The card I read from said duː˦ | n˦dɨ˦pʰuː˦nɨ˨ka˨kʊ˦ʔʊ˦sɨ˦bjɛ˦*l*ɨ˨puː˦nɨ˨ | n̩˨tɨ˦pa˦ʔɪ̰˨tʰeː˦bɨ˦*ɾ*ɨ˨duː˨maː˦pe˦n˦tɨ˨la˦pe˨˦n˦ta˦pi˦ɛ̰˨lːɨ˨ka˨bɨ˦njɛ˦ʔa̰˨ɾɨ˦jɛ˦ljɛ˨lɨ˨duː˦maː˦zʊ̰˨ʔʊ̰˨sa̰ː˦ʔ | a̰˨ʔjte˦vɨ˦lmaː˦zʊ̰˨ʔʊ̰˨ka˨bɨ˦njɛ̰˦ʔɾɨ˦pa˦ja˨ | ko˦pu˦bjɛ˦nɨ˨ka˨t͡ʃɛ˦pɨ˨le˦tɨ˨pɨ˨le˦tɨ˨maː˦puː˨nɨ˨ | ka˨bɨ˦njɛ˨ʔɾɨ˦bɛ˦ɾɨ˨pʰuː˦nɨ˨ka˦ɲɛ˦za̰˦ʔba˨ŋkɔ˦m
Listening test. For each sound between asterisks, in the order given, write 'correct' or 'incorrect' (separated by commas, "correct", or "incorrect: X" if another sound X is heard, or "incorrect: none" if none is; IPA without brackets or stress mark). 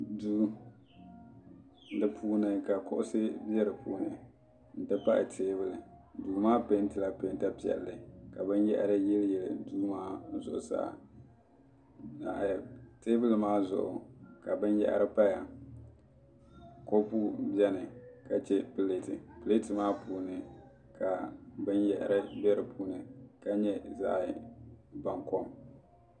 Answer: incorrect: ɾ, incorrect: l